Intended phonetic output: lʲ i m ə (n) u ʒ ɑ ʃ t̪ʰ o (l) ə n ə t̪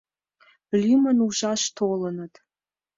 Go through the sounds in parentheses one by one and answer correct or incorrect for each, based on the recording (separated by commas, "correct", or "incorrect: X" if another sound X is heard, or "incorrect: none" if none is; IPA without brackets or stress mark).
correct, correct